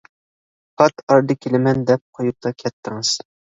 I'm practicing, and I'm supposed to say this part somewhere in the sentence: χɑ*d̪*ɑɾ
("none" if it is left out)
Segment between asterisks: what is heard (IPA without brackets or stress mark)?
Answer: t̪